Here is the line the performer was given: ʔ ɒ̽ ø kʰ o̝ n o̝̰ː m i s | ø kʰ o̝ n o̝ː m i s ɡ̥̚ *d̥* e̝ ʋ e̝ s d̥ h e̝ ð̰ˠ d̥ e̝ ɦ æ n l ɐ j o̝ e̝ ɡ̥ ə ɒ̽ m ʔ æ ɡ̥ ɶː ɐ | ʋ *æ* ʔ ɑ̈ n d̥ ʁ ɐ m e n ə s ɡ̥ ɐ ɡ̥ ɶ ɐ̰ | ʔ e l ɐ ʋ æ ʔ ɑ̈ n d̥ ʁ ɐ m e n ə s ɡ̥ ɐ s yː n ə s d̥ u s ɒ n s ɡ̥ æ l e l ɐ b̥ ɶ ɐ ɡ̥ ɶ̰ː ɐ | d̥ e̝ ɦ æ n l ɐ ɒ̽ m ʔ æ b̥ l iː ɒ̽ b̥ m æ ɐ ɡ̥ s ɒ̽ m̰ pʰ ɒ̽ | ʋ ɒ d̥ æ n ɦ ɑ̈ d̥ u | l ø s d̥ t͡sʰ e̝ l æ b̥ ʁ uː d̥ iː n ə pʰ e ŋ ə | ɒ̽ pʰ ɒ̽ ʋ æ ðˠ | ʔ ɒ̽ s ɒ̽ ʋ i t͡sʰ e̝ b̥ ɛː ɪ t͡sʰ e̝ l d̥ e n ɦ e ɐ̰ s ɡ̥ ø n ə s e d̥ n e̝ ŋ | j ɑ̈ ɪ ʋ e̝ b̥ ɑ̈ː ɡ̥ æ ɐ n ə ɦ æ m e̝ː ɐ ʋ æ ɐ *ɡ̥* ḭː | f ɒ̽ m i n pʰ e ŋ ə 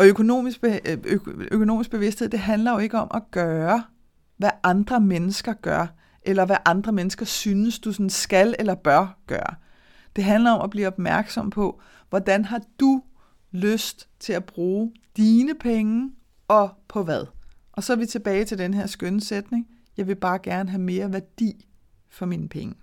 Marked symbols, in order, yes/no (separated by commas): no, yes, no